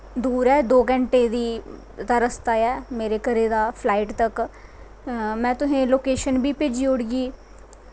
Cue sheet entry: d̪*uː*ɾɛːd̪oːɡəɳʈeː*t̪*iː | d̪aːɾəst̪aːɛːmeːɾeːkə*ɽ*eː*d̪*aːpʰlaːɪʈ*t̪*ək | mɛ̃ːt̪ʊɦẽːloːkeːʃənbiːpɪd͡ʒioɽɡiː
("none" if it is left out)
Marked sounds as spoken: uː, d̪, ɾ, d̪, t̪

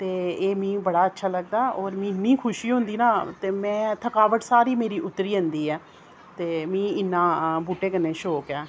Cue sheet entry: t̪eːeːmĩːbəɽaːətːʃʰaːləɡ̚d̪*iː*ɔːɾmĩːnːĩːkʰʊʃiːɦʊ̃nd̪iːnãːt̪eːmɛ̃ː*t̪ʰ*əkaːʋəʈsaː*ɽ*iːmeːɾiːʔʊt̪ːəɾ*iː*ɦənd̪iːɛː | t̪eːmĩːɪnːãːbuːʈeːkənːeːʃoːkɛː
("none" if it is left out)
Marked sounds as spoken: aː, t̪ʰ, ɾ, iː

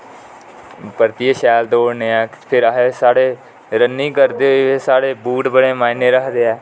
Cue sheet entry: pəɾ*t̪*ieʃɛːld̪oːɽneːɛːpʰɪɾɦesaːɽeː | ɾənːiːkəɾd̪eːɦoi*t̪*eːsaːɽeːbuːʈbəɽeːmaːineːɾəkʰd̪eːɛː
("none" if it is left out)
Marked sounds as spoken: t̪, none

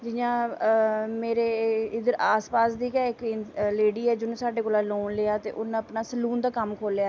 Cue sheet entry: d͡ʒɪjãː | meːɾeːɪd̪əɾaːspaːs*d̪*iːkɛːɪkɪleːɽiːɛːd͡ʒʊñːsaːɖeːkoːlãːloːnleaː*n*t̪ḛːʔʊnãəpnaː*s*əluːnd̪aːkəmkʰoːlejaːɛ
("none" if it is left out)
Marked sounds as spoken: d̪, none, s

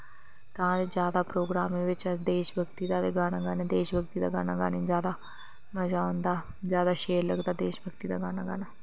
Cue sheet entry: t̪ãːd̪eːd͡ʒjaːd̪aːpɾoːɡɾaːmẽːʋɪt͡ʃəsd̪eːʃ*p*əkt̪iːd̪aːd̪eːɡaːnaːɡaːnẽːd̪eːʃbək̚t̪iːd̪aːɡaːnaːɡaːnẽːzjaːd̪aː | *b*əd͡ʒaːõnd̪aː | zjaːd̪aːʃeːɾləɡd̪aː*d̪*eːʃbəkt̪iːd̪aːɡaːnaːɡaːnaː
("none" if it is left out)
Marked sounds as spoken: b, m, d̪

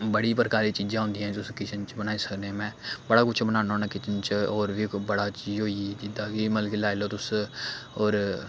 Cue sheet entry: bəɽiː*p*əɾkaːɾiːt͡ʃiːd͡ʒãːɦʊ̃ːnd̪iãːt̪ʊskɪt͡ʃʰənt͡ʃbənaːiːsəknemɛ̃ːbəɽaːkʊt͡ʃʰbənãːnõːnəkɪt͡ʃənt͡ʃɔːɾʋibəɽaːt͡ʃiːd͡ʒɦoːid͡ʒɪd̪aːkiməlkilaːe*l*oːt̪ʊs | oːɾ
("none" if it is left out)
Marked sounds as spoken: p, l

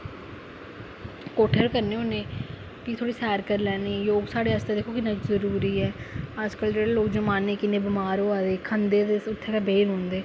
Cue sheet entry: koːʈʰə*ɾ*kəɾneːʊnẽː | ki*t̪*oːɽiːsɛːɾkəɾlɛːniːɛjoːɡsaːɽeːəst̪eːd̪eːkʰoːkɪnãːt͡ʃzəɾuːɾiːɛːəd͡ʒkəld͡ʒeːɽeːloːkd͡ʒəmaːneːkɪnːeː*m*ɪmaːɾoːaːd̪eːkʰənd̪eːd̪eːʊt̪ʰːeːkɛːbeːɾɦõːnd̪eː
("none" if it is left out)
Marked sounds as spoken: ɾ, t̪ʰ, b

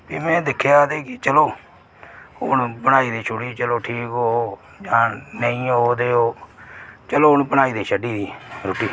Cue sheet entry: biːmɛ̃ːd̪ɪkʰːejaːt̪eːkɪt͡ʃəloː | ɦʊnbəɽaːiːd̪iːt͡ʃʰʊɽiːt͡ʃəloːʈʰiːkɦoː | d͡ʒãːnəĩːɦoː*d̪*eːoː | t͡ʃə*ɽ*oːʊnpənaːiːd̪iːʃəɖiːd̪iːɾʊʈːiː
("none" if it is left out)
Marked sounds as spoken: d̪, l

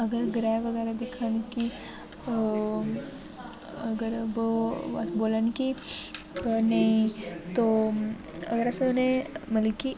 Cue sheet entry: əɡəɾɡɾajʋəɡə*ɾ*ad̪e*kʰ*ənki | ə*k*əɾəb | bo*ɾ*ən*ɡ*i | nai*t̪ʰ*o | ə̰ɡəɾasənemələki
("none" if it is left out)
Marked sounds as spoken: ɾ, kʰ, ɡ, l, k, t̪

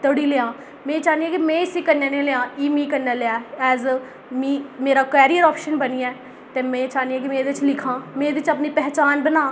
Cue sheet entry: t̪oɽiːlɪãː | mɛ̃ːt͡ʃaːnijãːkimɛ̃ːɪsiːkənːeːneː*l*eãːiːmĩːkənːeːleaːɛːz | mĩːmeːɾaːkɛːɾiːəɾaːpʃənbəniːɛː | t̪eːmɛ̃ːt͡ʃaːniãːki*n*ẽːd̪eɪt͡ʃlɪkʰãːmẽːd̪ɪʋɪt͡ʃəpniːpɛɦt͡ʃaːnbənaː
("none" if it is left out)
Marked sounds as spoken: l, m

